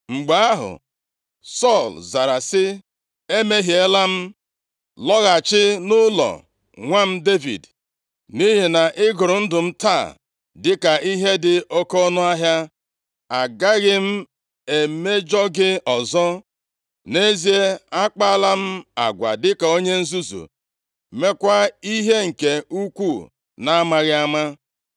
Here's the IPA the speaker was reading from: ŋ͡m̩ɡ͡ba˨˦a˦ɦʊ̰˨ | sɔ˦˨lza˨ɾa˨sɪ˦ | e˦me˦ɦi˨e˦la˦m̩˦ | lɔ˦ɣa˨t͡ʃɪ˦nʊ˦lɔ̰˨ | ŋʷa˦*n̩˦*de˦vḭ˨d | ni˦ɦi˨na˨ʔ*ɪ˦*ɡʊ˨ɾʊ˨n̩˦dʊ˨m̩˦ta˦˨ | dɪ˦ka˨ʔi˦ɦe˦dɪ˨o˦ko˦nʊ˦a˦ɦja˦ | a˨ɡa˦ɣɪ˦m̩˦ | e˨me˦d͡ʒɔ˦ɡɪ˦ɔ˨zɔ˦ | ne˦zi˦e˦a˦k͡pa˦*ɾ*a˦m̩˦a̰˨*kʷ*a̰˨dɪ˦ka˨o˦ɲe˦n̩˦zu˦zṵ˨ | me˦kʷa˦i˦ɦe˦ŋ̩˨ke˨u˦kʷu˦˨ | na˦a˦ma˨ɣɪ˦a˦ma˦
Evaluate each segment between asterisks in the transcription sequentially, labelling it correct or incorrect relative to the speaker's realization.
incorrect: m̩˦, correct, incorrect: l, incorrect: ɡʷ

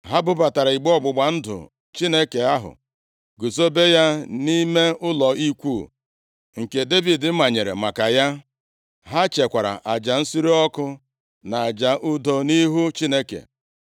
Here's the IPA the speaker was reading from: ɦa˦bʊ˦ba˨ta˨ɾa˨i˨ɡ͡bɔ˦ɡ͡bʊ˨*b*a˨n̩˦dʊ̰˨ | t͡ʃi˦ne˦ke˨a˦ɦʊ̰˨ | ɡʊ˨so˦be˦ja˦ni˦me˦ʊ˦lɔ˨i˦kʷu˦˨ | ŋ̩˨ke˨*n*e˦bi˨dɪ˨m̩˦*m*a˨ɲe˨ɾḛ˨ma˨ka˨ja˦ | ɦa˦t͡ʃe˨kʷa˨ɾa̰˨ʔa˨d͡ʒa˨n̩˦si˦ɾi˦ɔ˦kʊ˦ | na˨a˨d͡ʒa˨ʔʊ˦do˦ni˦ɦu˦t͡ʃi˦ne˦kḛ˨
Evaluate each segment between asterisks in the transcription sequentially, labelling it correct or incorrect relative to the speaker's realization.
incorrect: ɡ͡b, incorrect: d, correct

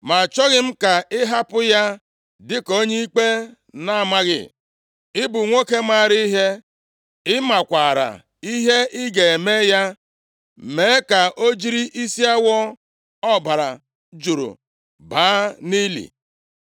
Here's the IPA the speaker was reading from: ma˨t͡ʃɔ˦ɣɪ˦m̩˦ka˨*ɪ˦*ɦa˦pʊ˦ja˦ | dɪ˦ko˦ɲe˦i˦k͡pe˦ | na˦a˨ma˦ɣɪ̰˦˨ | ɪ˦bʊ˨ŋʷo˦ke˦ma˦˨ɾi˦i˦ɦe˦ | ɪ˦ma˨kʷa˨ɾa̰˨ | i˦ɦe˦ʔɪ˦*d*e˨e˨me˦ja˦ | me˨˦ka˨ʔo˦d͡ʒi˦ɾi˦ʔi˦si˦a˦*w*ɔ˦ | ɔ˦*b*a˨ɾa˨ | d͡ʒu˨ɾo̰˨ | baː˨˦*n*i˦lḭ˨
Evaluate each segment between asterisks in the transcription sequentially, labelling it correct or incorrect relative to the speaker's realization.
correct, incorrect: ɡ, correct, correct, correct

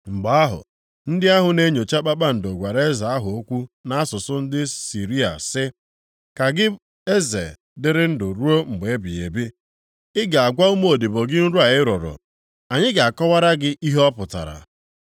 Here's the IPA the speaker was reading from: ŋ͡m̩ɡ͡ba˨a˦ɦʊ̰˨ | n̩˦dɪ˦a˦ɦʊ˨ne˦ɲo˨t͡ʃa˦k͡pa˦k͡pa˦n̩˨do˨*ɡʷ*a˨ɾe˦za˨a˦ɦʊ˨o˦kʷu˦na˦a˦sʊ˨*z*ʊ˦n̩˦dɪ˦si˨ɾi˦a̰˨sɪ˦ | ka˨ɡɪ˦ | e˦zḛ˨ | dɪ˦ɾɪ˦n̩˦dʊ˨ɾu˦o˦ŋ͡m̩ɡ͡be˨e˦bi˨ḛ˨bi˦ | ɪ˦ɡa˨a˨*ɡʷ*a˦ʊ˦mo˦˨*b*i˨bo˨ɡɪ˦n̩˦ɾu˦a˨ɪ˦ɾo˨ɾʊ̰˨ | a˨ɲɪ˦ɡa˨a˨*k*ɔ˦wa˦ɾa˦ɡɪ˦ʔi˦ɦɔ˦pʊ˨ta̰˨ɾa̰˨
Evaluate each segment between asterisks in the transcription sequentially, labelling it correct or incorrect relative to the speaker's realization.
correct, incorrect: s, correct, incorrect: d, correct

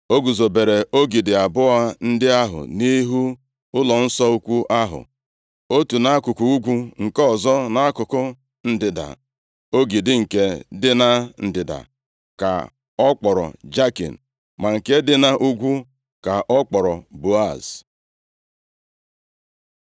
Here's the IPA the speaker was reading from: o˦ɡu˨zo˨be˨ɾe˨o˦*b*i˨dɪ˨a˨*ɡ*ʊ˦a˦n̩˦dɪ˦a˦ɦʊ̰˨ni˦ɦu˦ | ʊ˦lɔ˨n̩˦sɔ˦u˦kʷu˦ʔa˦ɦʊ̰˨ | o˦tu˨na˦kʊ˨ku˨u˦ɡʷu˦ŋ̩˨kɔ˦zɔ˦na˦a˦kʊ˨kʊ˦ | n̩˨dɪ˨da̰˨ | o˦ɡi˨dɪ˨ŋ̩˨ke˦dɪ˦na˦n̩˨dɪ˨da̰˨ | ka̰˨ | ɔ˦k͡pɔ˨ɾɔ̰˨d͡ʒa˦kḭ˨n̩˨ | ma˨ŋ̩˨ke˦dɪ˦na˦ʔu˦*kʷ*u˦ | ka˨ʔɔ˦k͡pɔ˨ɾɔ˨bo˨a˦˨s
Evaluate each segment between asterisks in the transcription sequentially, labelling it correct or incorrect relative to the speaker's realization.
incorrect: ɡ, incorrect: b, incorrect: ɡʷ

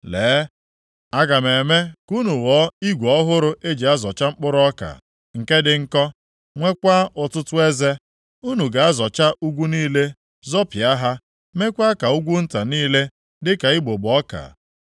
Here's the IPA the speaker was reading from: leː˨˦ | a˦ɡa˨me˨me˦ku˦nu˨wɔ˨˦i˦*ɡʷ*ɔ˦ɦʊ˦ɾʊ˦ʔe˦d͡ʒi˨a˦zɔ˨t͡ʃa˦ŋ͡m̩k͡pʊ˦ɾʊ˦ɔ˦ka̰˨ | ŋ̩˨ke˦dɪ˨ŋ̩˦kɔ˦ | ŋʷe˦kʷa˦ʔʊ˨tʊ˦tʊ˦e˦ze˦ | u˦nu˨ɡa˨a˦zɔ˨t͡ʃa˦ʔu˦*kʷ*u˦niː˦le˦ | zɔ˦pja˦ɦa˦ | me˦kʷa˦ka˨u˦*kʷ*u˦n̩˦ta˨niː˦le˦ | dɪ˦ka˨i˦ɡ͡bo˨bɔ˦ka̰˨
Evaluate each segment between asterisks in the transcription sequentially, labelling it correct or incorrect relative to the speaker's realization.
correct, incorrect: ɡʷ, incorrect: ɡʷ

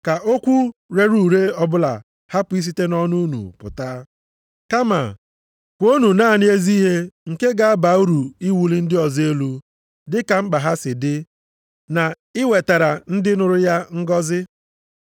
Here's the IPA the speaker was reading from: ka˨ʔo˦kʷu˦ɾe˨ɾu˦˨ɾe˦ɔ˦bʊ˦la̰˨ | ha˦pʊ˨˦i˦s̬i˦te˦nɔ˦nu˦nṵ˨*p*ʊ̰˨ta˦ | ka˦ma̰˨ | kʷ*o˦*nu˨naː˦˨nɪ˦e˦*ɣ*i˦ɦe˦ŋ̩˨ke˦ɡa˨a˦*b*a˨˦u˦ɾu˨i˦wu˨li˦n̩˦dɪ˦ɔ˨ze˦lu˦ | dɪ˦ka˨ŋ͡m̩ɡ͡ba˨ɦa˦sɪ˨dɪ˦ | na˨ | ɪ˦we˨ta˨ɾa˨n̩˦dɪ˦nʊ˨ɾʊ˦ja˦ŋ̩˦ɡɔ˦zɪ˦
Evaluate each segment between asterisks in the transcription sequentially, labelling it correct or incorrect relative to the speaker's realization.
correct, correct, incorrect: z, correct

